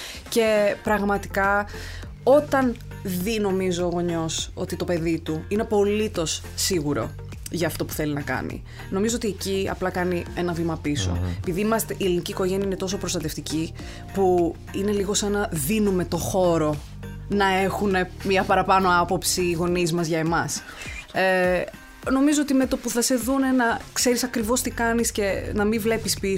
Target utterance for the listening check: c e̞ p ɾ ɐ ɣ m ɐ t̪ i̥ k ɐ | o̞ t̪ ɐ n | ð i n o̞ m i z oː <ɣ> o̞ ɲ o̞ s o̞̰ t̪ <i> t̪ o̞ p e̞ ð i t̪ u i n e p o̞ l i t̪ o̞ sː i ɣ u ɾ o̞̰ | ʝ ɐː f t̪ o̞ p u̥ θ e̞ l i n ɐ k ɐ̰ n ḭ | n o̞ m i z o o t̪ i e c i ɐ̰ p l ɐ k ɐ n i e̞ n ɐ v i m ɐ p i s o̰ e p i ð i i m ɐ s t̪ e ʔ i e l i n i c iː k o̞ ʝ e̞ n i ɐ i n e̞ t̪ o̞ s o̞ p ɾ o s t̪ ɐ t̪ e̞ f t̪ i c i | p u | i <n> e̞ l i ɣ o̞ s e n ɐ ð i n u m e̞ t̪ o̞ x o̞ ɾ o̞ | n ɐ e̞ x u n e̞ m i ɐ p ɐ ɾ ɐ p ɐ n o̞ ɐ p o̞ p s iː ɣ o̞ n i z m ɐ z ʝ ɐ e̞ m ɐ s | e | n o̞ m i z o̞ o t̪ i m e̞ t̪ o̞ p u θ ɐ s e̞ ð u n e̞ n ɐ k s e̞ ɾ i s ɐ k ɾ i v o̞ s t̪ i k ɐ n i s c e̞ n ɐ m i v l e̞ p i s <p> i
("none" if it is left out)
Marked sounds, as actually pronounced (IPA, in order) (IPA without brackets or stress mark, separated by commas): ɣ, i, n, p